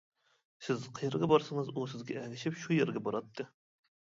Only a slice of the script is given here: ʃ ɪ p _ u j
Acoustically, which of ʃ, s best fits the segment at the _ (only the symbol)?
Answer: ʃ